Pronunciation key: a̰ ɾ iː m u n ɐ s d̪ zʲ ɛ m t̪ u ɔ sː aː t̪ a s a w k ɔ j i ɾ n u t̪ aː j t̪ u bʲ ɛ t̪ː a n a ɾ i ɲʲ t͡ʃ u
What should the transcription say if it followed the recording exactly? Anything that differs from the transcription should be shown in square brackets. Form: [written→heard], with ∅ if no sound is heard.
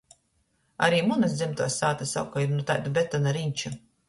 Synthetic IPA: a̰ ɾ iː m u n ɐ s d̪ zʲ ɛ m t̪ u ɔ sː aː t̪ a s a w k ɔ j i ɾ n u t̪ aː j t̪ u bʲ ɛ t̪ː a n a ɾ i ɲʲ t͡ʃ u

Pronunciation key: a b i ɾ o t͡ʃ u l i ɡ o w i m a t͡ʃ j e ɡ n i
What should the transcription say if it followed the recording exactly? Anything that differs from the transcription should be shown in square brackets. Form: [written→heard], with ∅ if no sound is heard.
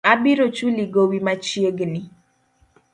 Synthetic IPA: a b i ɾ o t͡ʃ u l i ɡ o w i m a t͡ʃ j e ɡ n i

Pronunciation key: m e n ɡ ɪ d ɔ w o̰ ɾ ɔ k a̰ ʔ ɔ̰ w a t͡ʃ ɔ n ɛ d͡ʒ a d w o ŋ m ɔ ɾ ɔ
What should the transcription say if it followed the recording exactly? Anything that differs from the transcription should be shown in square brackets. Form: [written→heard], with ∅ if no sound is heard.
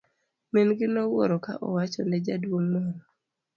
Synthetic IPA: m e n ɡ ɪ [d→n] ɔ w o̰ ɾ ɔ k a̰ ʔ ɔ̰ w a t͡ʃ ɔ n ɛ d͡ʒ a d w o ŋ m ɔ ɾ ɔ

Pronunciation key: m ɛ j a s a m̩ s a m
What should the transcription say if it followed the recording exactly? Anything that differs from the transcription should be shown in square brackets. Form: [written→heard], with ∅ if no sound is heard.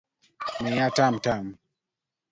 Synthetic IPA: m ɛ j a [s→t] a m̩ [s→t] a m

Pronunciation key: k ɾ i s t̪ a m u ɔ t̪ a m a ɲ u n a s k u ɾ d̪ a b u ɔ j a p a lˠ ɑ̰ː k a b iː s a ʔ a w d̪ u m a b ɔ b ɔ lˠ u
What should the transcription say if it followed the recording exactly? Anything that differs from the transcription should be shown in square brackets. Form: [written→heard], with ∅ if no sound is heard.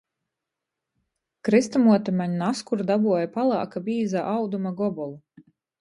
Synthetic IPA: k ɾ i s t̪ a m u ɔ t̪ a m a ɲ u n a s k u ɾ d̪ a b u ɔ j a p a lˠ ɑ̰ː k a b iː [s→z] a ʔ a w d̪ u m a [b→ɡ] ɔ b ɔ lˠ u

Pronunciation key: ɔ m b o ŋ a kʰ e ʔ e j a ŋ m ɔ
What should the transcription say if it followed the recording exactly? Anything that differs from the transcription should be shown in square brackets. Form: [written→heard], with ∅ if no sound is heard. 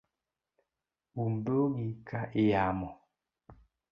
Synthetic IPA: [ɔ→u] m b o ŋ [a→i] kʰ [e→a] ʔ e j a [ŋ→∅] m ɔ

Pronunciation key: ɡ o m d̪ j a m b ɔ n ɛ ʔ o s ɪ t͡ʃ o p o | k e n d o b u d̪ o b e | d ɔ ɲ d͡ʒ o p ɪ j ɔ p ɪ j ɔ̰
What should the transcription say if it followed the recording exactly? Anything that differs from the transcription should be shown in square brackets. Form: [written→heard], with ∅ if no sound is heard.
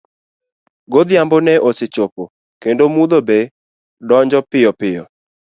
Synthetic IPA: ɡ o [m→∅] d̪ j a m b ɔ n ɛ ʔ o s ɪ t͡ʃ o p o | k e n d o [b→m] u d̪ o b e | d ɔ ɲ d͡ʒ [o→ɔ] p ɪ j ɔ p ɪ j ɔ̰

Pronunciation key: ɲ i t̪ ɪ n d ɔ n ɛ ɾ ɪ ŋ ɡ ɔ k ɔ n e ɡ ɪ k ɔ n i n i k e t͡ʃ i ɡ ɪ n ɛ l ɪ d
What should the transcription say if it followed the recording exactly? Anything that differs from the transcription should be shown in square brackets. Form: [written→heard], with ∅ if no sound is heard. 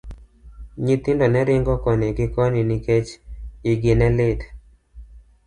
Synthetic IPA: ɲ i t̪ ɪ n d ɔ n ɛ ɾ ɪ ŋ ɡ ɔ k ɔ n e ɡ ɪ k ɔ n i n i k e t͡ʃ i ɡ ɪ n ɛ l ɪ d

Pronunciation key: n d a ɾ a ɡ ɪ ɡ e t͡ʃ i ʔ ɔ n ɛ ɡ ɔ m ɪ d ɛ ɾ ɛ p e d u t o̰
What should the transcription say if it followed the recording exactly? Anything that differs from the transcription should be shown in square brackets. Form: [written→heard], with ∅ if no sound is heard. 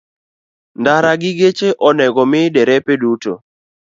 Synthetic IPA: n d a ɾ a ɡ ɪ ɡ e t͡ʃ [i→e] ʔ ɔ n ɛ ɡ ɔ m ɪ d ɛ ɾ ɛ p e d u t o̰

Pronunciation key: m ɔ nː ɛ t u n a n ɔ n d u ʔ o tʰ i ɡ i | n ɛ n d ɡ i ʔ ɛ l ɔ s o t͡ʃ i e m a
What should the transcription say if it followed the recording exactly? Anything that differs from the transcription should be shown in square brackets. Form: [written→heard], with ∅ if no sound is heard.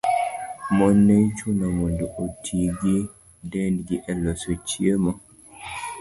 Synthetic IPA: m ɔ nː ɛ [t→t͡ʃ] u n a [n→m] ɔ n d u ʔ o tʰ i ɡ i | [n→d] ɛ n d ɡ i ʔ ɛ l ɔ s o t͡ʃ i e m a

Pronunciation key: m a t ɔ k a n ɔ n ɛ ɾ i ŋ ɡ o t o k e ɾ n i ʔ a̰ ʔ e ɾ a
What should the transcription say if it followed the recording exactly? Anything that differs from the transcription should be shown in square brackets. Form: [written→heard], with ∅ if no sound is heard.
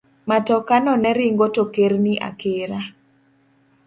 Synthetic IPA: m a t ɔ k a n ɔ n ɛ ɾ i ŋ ɡ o t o k e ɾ n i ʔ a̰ [ʔ→k] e ɾ a

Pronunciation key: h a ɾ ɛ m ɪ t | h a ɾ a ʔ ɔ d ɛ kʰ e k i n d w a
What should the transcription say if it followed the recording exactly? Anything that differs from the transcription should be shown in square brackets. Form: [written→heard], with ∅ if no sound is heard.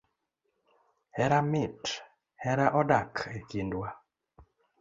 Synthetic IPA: h [a→ɛ] ɾ [ɛ→a] m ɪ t | h [a→ɛ] ɾ a ʔ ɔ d [ɛ→a] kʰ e k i n d w a

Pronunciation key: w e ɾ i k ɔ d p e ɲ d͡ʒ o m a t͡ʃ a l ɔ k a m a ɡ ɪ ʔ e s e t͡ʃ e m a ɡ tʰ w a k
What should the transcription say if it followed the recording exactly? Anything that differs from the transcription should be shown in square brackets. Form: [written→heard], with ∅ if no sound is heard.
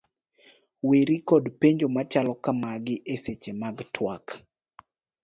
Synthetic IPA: w e ɾ i k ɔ d p e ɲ d͡ʒ o m a t͡ʃ a l ɔ k a m a ɡ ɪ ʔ e s e t͡ʃ e m a ɡ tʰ w a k

